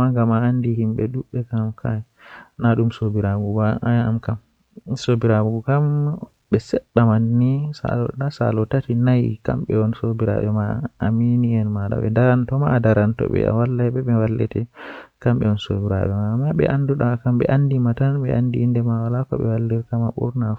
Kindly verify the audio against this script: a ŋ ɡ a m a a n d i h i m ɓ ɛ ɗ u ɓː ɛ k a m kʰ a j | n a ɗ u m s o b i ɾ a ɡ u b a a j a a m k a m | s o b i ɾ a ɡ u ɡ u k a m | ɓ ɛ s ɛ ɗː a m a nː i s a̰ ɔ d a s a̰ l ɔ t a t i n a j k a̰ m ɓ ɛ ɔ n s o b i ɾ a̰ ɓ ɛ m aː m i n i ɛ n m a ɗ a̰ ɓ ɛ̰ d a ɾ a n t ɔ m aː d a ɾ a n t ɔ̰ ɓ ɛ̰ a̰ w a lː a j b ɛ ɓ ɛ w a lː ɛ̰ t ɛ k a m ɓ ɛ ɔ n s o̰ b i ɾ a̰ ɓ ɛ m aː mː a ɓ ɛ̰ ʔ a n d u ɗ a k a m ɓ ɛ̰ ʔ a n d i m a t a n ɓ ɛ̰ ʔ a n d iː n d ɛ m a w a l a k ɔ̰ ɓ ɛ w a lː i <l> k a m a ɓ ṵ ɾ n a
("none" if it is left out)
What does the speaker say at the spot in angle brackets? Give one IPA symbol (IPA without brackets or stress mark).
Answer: ɾ